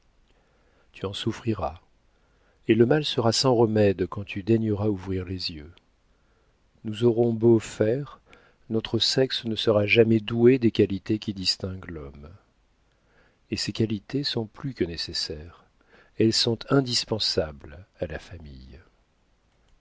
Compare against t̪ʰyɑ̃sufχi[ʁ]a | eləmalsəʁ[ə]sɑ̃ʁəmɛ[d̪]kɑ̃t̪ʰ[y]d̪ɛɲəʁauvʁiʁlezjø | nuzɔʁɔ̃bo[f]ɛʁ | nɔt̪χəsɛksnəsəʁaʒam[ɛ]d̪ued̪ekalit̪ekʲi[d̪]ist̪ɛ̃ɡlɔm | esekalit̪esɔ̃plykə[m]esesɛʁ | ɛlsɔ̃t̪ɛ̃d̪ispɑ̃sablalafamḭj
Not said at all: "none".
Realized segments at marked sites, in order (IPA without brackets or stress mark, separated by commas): ʁ, a, d̪, y, f, ɛ, d̪, n